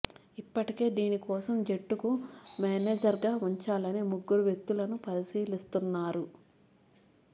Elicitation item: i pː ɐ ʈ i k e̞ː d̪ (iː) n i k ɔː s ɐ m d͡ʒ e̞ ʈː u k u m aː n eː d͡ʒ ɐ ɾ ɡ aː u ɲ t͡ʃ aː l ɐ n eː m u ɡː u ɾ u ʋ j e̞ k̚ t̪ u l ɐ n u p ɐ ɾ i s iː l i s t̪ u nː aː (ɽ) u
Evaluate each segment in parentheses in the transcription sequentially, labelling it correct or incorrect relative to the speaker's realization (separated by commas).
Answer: correct, incorrect